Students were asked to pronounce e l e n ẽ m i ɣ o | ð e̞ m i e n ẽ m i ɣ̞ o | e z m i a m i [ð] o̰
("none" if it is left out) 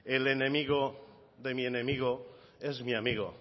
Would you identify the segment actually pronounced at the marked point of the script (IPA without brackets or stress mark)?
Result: ɣ